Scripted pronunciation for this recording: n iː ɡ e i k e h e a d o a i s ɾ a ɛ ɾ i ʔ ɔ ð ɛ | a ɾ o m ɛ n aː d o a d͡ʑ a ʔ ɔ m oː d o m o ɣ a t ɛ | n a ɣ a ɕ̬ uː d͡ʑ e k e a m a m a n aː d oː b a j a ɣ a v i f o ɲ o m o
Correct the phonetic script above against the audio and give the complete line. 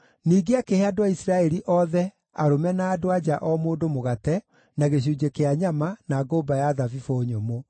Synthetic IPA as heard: n iː ɡ e a k e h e a d o a i s ɾ a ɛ ɾ i ʔ ɔ ð ɛ | a ɾ o m ɛ n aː d o a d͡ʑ a ʔ ɔ m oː d o m o ɣ a t ɛ | n a ɣ e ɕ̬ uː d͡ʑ e k e a ɲ a m a n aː ɡ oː b a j a ð a v i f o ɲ o m o

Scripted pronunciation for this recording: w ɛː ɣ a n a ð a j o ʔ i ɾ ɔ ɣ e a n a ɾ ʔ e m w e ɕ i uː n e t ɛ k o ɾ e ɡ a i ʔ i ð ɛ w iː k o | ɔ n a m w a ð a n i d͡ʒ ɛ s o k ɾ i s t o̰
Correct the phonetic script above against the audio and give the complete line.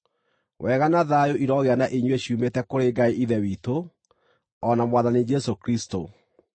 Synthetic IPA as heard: w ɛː ɣ a n a ð a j o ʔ i ɾ ɔ ɣ e a n a ʔ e ɲ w e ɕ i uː m e t ɛ k o ɾ e ɡ a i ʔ i ð ɛ w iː t o | ɔ n a m w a ð a n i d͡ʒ ɛ s o k ɾ i s t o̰

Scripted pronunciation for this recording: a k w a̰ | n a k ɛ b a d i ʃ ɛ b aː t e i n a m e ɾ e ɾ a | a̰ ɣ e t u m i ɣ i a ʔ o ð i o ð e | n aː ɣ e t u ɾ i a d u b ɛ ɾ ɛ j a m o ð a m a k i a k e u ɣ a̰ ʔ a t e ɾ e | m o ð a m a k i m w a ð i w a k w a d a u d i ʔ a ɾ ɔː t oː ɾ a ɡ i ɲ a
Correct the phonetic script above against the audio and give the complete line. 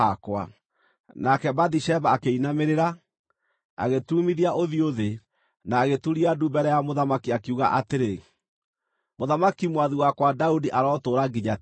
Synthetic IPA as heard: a k w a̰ | n a k ɛ b a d i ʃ ɛ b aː k e i n a m e ɾ e ɾ a | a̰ ɣ e t u m i ð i a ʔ o ð i o ð e | n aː ɣ e t u ɾ i a d u b ɛ ɾ ɛ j a m o ð a m a k i a k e u ɣ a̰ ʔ a t e ɾ e | m o ð a m a k i m w a ð i w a k w a d a u d i ʔ a ɾ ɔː t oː ɾ a ɡ i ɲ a

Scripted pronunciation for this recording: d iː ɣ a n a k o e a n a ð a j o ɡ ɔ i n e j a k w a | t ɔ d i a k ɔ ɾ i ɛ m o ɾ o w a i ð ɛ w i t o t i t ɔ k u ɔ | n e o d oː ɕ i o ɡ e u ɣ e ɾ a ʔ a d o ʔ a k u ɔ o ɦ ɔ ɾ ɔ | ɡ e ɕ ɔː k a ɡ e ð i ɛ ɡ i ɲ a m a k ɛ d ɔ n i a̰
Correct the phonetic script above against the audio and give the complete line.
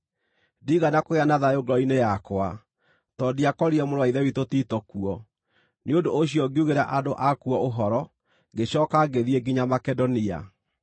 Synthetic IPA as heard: d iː ɣ a n a k o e a n a ð a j o ɡ ɔ i n e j a k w a | t ɔ d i a k ɔ ɾ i ɛ m o ɾ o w a i ð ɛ w i t o t i t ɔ k u ɔ | n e o d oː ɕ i ɔ ɡ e u ɣ e ɾ a ʔ a d o ʔ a k u ɔ o ɦ ɔ ɾ ɔ | ɡ e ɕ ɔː k a ɡ e ð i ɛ ɡ i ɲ a m a k ɛ d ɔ n i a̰

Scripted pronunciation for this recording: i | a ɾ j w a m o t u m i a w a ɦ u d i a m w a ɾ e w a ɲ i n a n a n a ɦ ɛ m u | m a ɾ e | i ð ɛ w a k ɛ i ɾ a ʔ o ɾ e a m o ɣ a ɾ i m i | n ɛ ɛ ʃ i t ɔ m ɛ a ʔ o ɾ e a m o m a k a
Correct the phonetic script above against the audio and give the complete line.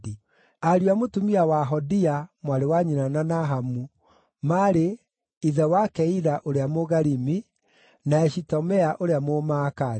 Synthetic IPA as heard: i | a ɾ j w a m o t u m i a w a ɦ ɔ d i a m w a ɾ e w a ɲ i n a n a n a ɦ a m u | m a ɾ e | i ð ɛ w a k ɛ i ɾ a ʔ o ɾ e a m o ɣ a ɾ i m i | n a ɛ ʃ i t ɔ m ɛ a ʔ o ɾ e a m o m a k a

